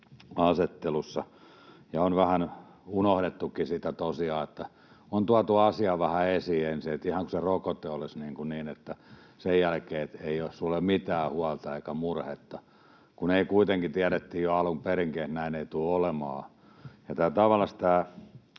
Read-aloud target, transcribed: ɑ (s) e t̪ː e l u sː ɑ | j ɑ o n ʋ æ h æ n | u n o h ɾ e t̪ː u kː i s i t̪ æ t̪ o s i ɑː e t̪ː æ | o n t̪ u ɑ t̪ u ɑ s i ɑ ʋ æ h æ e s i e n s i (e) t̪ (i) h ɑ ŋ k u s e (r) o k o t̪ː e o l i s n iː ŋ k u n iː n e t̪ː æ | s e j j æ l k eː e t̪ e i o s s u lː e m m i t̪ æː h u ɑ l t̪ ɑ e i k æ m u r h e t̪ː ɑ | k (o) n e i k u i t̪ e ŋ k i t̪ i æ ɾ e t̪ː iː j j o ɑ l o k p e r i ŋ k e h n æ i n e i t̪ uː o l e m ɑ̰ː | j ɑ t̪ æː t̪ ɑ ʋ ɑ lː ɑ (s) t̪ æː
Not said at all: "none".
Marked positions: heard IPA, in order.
s, e, i, r, u, s

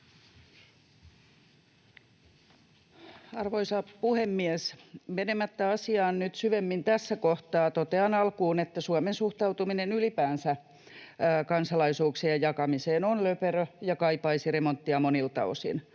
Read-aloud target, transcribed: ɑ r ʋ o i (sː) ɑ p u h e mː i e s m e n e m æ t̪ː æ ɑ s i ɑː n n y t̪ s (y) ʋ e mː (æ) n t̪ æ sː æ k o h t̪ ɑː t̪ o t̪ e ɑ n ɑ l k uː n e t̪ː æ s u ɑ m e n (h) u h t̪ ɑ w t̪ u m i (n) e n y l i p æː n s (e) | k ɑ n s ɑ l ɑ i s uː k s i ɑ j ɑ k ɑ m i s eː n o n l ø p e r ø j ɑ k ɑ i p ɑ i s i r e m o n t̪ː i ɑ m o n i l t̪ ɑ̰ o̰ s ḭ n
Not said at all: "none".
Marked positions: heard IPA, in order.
s, y, i, s, n, æ

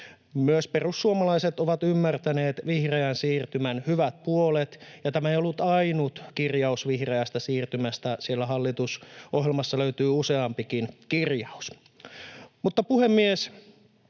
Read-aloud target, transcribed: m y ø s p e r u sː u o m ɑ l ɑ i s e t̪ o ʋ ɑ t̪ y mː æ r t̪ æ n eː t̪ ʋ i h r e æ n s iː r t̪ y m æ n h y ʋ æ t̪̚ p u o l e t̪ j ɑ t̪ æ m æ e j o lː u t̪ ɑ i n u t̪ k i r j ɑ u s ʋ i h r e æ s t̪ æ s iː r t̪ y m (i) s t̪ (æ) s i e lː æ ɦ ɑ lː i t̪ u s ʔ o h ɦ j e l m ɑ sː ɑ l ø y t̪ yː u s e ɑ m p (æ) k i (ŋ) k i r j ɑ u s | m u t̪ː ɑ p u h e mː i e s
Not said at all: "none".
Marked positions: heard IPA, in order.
æ, æ, i, n

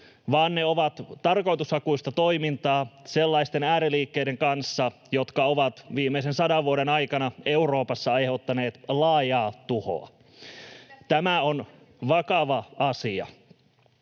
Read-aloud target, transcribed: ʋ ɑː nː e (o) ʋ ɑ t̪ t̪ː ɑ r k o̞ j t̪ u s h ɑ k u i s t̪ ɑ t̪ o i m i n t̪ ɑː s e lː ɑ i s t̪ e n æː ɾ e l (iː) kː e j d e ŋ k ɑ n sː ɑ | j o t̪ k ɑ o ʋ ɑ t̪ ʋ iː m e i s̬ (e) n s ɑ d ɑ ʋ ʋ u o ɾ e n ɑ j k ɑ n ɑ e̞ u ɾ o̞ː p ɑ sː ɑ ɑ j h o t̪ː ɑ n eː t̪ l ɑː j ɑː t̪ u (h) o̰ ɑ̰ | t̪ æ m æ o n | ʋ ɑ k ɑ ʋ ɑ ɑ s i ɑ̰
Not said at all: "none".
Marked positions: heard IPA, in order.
o, iː, e, h

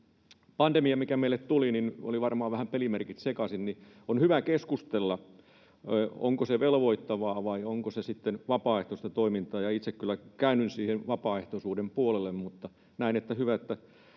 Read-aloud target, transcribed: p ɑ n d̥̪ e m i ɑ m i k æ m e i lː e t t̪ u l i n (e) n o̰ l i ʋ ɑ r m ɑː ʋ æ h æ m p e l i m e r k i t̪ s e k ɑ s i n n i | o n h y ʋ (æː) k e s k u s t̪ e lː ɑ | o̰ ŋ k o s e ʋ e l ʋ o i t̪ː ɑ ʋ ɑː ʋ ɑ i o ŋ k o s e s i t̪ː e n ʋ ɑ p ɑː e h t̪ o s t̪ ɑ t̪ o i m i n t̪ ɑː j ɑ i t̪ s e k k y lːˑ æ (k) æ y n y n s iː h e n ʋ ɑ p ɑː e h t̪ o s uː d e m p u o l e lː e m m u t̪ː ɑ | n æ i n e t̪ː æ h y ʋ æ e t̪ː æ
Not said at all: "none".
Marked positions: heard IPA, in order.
i, æ, k

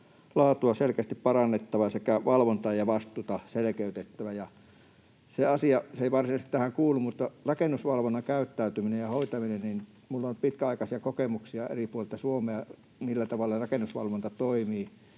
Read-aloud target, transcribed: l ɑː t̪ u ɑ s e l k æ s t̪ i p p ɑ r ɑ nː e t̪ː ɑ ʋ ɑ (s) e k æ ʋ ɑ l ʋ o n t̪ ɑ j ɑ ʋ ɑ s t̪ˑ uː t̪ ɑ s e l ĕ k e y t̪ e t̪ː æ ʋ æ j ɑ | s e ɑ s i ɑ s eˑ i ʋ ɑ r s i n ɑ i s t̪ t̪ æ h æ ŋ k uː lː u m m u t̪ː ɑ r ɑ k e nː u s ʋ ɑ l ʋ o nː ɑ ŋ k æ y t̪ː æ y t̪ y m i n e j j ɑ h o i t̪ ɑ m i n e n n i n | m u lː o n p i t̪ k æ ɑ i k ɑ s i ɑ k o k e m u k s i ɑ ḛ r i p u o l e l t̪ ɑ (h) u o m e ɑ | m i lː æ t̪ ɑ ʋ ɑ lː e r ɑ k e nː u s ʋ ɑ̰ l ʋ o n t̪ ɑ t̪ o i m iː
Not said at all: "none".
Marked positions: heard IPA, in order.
s, s

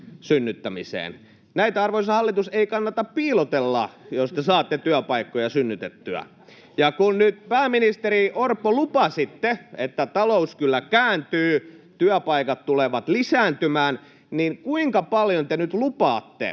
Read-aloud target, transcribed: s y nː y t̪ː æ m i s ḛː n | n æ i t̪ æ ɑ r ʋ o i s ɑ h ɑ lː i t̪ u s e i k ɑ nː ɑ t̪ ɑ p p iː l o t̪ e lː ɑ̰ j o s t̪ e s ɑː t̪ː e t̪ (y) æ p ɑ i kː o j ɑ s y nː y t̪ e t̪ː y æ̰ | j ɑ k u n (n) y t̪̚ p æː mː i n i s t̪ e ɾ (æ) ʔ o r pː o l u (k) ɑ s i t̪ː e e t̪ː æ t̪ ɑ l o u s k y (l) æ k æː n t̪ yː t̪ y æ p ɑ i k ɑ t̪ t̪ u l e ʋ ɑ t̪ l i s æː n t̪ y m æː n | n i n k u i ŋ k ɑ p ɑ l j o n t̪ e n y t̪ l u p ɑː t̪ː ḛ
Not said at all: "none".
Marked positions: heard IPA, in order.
y, n, i, p, lː

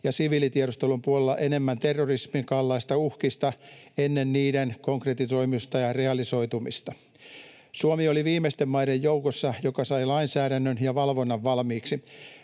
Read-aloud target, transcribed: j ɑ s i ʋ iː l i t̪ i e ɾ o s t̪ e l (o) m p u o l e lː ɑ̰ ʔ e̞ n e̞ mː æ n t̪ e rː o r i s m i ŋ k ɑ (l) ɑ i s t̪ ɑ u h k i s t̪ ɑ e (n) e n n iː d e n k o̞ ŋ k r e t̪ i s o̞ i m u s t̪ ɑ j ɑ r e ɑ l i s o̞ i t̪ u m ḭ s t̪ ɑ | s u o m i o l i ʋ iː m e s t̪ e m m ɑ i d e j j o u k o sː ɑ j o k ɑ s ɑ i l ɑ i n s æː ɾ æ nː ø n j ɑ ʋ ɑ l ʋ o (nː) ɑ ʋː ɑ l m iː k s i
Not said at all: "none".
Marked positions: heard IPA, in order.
u, lː, nː, nː

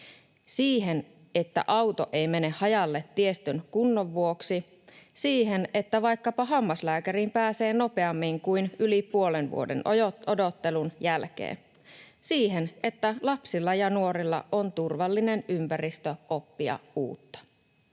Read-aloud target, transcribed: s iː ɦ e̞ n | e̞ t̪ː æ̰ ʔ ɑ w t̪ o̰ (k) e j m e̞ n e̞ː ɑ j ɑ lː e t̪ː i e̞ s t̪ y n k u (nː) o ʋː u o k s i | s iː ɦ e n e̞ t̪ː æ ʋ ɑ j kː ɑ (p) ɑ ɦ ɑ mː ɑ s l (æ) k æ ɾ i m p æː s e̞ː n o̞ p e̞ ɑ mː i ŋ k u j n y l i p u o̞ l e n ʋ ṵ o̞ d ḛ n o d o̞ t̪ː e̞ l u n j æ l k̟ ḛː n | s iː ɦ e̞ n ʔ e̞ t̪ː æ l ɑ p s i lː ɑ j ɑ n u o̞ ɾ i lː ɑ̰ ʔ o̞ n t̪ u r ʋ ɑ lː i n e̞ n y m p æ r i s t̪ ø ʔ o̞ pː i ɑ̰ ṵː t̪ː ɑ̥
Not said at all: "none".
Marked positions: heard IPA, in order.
ʔ, nː, p, æː

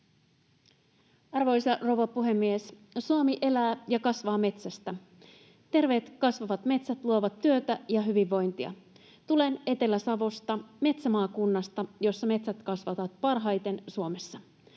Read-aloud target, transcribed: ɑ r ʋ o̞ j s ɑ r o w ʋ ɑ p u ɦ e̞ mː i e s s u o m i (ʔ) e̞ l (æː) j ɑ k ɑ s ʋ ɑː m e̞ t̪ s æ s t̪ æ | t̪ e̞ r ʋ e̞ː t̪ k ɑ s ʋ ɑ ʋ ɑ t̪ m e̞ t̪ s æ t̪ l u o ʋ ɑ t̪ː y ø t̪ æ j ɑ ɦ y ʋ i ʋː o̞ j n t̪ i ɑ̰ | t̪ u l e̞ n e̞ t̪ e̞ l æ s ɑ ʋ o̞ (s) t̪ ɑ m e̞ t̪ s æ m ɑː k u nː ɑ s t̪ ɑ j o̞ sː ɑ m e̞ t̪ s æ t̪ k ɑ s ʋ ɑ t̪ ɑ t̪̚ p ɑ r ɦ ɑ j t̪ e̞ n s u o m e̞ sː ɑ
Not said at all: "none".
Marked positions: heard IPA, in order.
ʔ, æː, s

